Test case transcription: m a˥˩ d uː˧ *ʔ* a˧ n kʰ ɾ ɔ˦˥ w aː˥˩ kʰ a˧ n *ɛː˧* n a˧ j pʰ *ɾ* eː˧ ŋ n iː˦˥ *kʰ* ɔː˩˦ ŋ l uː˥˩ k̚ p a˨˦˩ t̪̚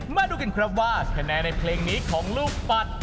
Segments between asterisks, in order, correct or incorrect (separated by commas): incorrect, correct, incorrect, correct